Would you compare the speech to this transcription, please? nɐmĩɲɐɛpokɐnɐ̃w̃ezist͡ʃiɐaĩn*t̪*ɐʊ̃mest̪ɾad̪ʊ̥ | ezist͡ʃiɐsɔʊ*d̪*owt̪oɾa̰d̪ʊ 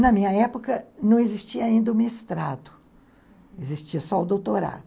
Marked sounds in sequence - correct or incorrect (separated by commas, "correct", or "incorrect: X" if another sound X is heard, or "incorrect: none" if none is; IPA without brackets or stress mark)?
incorrect: d̪, correct